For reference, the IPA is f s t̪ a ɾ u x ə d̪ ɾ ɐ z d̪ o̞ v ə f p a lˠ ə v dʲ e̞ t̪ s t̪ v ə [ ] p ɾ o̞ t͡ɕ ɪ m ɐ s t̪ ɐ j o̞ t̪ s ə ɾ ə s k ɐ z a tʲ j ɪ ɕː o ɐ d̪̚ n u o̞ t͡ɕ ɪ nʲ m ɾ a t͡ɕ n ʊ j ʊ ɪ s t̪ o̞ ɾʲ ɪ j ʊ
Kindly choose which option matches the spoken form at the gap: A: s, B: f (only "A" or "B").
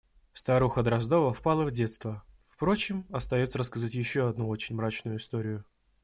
B